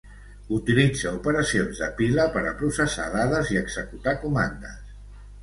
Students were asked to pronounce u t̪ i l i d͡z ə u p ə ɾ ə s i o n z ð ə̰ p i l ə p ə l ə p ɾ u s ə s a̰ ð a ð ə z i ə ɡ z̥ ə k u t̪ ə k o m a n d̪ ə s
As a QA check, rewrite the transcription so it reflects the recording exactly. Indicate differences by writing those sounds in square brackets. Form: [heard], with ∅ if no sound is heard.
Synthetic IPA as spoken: u t̪ i l i d͡z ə u p ə ɾ ə s i o n z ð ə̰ p i l ə p ə [ɾ] ə p ɾ u s ə s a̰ ð a ð ə z i ə ɡ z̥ ə k u t̪ [a] k [u] m a n d̪ ə s